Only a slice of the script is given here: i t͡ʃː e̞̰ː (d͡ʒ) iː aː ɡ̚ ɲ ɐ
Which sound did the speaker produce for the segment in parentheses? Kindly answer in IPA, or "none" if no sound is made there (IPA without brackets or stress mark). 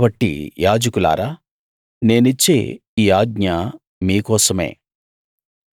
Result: none